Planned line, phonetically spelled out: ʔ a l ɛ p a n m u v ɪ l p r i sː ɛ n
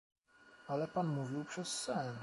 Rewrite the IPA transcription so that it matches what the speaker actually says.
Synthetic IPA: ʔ a l ɛ p a n m u v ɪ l p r ɛ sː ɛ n

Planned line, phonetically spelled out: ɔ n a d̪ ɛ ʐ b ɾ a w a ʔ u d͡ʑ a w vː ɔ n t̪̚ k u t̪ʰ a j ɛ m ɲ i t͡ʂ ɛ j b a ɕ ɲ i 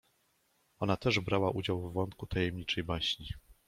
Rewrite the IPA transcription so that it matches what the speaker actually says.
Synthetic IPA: ɔ n a t̪ ɛ ʐ b ɾ a w a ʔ u d͡ʑ a w vː ɔ n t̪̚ k u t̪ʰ a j ɛ m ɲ i t͡ʂ ɛ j b a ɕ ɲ i

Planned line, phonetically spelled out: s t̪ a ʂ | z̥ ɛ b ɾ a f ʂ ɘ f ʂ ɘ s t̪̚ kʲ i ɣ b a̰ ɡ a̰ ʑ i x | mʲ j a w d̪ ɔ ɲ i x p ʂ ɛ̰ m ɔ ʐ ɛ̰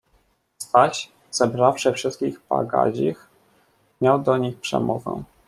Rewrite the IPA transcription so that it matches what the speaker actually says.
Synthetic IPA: s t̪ a ɕ | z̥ ɛ b ɾ a f ʂ ɘ f ʂ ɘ s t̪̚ kʲ i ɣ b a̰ ɡ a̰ ʑ i x | mʲ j a w d̪ ɔ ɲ i x p ʂ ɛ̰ m ɔ v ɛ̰

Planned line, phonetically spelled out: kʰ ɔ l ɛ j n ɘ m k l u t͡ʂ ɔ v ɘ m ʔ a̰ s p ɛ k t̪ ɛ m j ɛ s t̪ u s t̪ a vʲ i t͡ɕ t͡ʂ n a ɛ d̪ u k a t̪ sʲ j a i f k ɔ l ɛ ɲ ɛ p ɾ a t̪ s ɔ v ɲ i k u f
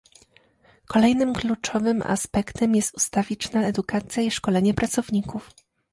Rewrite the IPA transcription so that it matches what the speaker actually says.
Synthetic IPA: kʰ ɔ l ɛ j n ɘ m k l u t͡ʂ ɔ v ɘ m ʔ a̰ s p ɛ k t̪ ɛ m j ɛ s t̪ u s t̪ a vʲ i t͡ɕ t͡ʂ n a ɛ d̪ u k a t̪ sʲ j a i ʂ k ɔ l ɛ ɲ ɛ p ɾ a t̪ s ɔ v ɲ i k u f

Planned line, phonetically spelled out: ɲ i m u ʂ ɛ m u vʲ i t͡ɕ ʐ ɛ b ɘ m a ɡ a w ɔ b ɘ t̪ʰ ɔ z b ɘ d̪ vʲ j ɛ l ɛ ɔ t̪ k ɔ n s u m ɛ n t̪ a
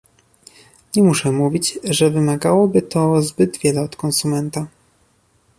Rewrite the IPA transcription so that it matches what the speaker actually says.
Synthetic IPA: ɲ ɛ m u ʂ ɛ m u vʲ i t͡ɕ ʐ ɛ v ɘ m a ɡ a w ɔ b ɘ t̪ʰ ɔ z b ɘ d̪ vʲ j ɛ l ɛ ɔ t̪ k ɔ n s u m ɛ n t̪ a

